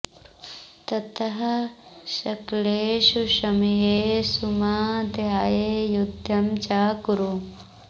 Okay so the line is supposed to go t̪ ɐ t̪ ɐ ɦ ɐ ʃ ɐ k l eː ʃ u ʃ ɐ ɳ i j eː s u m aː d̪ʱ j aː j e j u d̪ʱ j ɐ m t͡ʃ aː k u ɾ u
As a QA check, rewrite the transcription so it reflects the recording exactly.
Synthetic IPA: t̪ ɐ t̪ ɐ ɦ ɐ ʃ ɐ k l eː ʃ u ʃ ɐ m i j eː s u m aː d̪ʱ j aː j e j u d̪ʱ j ɐ m t͡ʃ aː k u ɾ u

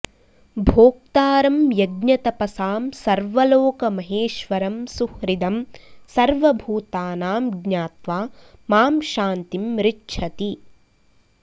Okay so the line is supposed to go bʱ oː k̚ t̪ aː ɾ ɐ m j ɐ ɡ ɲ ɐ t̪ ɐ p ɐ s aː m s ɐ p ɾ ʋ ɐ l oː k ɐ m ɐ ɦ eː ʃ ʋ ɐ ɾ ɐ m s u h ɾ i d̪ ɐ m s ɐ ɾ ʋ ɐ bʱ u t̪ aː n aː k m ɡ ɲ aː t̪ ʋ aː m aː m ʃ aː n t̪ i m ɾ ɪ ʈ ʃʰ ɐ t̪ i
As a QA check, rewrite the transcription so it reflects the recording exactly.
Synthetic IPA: bʱ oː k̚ t̪ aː ɾ ɐ m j ɐ ɡ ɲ ɐ t̪ ɐ p ɐ s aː m s ɐ ɾ ʋ ɐ l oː k ɐ m ɐ ɦ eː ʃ ʋ ɐ ɾ ɐ m s u h ɾ i d̪ ɐ m s ɐ ɾ ʋ ɐ bʱ uː t̪ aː n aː m ɡ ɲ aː t̪ ʋ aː m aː m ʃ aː n t̪ i m ɾ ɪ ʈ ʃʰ ɐ t̪ i

